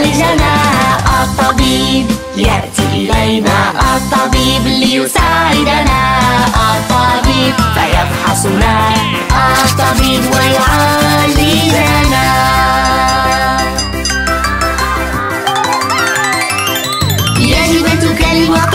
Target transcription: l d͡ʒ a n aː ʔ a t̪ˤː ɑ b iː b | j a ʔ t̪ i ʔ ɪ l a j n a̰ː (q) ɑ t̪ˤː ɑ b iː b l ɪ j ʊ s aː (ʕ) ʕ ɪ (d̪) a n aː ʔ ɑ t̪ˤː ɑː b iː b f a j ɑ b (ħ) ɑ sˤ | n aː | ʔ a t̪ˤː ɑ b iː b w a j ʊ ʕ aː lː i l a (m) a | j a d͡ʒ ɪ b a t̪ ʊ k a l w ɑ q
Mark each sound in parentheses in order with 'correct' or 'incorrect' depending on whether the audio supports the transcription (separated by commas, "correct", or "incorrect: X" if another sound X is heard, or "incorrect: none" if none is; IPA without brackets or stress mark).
incorrect: ʔ, correct, correct, correct, incorrect: n